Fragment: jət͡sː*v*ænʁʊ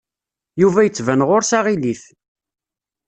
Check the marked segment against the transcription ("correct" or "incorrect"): correct